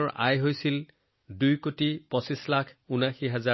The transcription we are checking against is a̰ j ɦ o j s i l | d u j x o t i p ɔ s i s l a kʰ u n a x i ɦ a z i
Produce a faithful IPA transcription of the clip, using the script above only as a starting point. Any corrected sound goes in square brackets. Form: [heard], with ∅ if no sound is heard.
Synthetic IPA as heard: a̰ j ɦ o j s i l | d u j [k] o t i p ɔ s i s l a kʰ u n a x i ɦ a z [a]